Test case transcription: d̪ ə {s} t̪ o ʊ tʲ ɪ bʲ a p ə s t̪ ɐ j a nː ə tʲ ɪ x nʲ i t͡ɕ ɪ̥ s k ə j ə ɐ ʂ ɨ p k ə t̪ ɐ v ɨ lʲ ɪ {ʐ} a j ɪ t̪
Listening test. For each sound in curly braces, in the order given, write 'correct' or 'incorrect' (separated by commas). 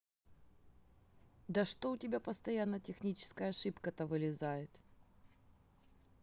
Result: incorrect, incorrect